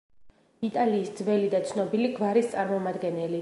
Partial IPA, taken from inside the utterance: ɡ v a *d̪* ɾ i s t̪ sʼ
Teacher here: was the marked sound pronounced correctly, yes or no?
no